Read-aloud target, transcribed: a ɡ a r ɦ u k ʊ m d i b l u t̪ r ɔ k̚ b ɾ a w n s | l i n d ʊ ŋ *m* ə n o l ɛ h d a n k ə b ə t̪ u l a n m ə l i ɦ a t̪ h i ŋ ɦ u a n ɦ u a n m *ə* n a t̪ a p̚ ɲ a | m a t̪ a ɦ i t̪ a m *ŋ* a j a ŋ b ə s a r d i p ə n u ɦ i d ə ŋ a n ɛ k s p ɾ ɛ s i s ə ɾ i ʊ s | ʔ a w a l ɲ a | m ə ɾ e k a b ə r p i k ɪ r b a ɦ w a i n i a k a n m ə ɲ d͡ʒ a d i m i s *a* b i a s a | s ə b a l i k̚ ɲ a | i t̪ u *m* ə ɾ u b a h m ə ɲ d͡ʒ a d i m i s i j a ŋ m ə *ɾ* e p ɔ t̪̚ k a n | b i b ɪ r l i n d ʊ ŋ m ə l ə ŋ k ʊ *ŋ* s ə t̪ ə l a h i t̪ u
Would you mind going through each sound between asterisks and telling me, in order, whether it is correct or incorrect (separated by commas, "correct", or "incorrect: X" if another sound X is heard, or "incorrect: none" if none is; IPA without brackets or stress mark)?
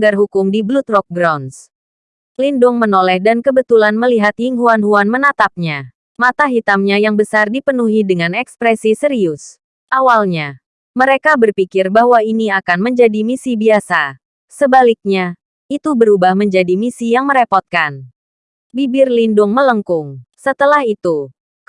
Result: correct, correct, incorrect: ɲ, incorrect: i, incorrect: b, correct, correct